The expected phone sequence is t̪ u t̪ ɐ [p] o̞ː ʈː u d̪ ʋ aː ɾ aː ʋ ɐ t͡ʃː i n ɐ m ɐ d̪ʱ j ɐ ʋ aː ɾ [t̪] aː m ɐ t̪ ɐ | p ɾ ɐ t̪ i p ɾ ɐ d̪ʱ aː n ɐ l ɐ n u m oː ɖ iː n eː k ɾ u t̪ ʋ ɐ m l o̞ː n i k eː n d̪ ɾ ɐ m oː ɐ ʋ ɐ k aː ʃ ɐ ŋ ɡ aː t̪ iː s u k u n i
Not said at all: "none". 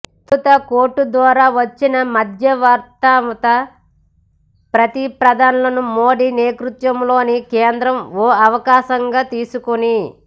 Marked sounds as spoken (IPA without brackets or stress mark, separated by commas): k, t̪